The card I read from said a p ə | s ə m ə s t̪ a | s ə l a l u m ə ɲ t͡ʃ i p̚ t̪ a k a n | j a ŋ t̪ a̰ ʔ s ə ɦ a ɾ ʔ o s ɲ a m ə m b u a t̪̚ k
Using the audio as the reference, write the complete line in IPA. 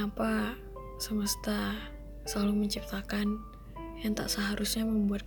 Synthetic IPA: a p a | s ə m ə s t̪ a | s ə l a l u m ə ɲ t͡ʃ i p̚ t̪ a k a n | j a ŋ t̪ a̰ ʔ s ə ɦ a ɾ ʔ u s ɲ a m ə m b u a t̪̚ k